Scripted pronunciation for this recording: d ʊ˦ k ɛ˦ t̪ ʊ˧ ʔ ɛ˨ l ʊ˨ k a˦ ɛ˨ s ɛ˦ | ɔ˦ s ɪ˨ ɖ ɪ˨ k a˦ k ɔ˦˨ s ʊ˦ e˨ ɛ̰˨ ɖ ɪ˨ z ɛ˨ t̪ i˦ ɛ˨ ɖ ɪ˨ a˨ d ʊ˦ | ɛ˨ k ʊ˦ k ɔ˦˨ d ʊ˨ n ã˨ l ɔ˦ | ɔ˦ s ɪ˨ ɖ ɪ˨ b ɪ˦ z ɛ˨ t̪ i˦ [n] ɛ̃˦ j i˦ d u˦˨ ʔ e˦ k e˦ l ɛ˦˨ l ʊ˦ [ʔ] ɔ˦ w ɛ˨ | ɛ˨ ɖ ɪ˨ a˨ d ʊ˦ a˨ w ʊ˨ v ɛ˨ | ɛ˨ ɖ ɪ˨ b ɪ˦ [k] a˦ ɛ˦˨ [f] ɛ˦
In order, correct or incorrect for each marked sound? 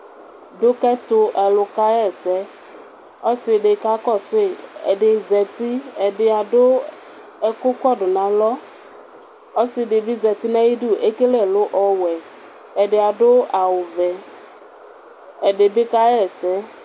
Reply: correct, correct, correct, incorrect: s

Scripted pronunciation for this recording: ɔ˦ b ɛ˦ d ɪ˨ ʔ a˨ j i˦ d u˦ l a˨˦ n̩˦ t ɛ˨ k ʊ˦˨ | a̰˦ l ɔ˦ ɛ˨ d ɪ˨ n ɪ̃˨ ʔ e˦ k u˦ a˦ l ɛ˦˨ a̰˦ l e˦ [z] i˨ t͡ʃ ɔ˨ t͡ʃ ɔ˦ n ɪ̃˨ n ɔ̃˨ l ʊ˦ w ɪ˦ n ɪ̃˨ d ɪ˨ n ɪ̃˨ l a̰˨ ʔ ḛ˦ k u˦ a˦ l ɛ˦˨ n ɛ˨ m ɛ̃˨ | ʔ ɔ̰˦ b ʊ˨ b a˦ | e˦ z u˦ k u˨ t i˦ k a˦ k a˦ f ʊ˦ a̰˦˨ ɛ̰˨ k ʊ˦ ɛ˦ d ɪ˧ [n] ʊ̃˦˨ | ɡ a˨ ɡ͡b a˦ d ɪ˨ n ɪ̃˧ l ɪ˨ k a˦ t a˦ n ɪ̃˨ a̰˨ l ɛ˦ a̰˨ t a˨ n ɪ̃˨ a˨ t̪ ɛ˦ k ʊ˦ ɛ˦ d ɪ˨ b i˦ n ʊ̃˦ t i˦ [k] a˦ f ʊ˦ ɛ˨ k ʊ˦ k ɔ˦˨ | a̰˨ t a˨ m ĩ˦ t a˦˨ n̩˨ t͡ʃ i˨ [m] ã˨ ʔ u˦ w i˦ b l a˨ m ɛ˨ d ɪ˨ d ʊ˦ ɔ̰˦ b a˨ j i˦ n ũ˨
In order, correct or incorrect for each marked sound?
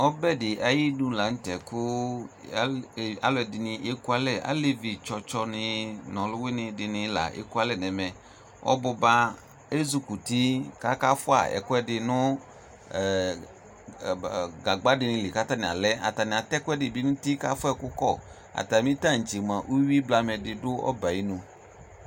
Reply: incorrect: v, correct, correct, correct

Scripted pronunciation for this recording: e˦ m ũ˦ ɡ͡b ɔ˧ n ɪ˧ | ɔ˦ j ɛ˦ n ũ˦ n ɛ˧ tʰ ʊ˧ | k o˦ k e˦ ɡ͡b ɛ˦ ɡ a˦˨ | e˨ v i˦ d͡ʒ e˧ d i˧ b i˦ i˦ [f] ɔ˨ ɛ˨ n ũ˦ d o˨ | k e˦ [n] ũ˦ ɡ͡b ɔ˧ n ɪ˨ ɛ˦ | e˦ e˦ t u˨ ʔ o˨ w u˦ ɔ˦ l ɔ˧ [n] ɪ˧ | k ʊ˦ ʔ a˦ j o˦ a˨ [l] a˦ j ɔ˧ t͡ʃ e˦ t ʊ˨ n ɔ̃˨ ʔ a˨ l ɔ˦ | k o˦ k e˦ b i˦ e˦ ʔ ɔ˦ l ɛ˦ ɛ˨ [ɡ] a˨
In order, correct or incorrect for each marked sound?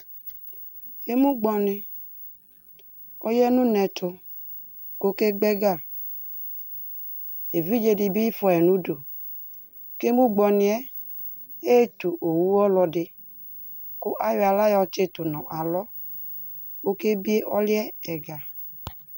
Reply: correct, incorrect: m, incorrect: d, correct, correct

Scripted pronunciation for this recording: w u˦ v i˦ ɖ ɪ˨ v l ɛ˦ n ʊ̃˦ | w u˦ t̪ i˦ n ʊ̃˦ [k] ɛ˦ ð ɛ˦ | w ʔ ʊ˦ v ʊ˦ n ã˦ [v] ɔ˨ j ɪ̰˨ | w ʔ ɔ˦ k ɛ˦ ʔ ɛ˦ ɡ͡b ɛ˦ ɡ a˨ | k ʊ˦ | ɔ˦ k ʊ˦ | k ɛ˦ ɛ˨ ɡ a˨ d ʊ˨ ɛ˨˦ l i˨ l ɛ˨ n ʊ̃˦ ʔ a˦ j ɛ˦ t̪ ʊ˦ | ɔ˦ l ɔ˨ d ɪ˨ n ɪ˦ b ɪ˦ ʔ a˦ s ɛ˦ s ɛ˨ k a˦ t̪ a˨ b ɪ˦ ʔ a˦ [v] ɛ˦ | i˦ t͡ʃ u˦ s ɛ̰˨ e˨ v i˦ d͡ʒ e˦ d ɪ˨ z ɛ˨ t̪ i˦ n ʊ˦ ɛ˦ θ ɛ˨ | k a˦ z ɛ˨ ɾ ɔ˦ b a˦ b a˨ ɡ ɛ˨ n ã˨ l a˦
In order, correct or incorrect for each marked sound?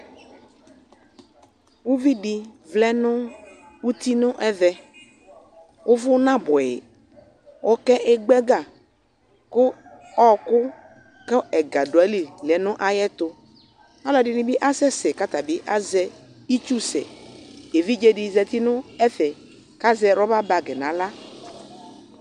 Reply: incorrect: ʔ, incorrect: b, incorrect: z

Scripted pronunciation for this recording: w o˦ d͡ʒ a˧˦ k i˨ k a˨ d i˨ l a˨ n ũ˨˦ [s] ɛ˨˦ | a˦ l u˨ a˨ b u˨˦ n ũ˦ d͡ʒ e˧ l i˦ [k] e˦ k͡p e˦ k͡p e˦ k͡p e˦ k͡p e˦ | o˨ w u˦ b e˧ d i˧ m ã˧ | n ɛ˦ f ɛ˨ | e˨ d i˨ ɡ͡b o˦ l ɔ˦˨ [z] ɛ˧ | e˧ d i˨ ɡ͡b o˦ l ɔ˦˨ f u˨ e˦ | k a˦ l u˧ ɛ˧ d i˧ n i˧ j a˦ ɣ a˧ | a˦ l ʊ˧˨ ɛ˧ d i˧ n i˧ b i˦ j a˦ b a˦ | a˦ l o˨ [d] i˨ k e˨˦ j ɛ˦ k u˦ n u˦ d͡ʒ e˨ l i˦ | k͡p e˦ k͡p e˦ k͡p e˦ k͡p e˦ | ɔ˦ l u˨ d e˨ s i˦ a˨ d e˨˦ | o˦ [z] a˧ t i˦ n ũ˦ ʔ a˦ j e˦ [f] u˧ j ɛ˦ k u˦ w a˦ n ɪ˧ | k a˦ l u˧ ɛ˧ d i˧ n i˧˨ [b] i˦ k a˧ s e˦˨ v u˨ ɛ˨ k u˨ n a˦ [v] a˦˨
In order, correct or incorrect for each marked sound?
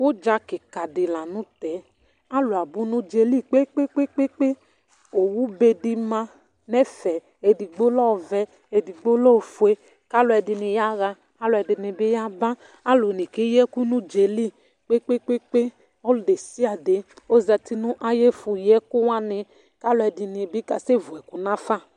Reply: incorrect: t, incorrect: k͡p, incorrect: v, incorrect: n, correct, correct, correct, incorrect: f

